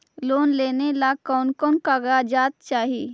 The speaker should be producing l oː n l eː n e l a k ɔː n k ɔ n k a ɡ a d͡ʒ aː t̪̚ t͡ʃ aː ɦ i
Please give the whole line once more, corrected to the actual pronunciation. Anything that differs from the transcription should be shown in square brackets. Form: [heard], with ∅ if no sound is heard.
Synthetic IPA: l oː n l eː n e l a k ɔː n k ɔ n k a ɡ a d͡ʒ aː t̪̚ t͡ʃ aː ɦ i